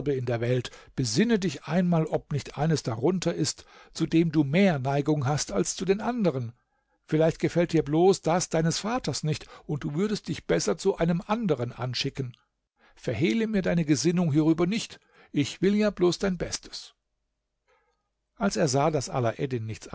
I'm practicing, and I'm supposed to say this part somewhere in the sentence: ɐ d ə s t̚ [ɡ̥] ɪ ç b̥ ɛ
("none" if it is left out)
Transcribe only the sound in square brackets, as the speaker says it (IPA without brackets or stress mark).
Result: d̥